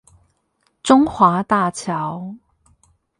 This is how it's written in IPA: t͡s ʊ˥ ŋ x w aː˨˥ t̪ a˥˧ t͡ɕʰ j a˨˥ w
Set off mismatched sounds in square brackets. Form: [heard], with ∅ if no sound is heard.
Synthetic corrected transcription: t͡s ʊ˥ ŋ x w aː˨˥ t̪ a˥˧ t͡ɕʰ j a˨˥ w